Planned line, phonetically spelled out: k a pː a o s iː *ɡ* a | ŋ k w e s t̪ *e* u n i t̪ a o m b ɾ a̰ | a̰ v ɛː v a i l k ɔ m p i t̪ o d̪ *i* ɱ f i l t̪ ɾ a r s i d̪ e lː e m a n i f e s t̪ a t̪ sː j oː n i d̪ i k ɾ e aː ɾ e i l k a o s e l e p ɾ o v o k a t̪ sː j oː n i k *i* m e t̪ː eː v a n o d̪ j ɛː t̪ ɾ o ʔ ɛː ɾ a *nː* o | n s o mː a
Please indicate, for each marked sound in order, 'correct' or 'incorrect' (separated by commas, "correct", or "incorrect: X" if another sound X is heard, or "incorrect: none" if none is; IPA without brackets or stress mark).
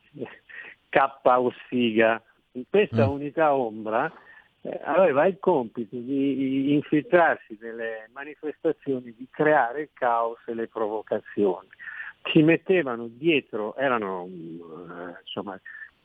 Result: correct, incorrect: a, incorrect: iː, correct, incorrect: n